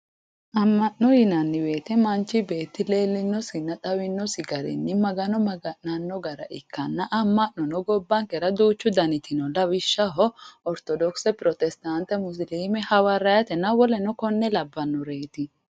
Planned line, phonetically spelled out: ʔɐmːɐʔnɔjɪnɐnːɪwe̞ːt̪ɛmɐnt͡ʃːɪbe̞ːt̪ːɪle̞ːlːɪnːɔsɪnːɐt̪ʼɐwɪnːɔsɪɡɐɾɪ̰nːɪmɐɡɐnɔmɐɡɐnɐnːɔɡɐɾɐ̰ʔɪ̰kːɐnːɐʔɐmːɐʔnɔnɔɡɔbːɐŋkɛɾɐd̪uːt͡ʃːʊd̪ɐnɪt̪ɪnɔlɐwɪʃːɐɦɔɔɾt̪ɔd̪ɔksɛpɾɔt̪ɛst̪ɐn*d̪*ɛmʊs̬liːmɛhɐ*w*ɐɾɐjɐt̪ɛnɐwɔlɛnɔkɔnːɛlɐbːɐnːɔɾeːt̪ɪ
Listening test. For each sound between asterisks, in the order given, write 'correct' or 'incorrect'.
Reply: incorrect, correct

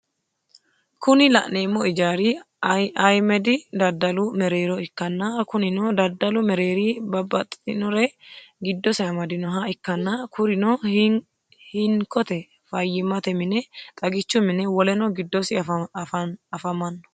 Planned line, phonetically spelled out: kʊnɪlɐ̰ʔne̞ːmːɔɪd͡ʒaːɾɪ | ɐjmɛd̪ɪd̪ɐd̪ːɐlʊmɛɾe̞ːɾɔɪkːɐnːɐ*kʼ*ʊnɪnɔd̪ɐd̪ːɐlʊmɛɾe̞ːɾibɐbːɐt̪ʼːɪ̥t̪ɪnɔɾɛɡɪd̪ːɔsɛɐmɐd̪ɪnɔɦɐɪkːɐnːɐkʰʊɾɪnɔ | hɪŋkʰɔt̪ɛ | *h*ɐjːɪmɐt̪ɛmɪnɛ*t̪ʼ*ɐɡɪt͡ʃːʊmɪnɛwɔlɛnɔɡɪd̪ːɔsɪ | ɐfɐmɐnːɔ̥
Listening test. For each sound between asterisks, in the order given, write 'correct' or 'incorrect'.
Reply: incorrect, incorrect, correct

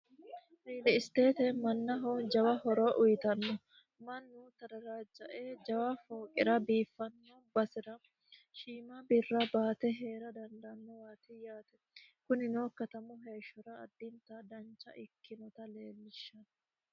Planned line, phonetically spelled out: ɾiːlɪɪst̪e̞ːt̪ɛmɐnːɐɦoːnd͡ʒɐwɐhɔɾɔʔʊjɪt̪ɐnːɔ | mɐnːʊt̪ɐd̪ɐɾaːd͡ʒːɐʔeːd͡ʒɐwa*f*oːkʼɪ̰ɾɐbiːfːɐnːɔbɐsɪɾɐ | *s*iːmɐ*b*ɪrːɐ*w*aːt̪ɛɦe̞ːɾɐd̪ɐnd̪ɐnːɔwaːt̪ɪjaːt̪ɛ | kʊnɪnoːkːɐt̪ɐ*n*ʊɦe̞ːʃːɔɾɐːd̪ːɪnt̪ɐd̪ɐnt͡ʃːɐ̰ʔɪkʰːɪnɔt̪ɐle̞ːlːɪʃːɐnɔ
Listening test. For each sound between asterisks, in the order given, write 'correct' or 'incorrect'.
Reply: correct, incorrect, correct, incorrect, incorrect

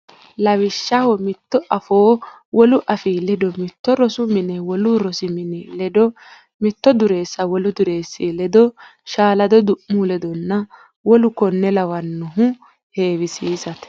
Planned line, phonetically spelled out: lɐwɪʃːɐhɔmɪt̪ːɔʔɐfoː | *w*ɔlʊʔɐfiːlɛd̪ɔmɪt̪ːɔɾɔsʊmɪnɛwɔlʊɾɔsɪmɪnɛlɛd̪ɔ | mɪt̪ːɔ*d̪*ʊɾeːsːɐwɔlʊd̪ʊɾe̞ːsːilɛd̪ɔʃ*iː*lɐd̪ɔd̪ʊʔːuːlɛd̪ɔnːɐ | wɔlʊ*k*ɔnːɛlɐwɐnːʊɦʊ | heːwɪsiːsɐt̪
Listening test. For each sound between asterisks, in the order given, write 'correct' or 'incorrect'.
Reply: correct, correct, incorrect, correct

